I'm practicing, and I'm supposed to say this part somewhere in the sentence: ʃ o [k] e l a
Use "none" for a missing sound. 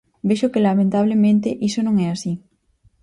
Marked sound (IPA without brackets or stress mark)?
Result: k